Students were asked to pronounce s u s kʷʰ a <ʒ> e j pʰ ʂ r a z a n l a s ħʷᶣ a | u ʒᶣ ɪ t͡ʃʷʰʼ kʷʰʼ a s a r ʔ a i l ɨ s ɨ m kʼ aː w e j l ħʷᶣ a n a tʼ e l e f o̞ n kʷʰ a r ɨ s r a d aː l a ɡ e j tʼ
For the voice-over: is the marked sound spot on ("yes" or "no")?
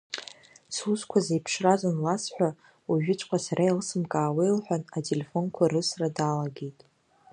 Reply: no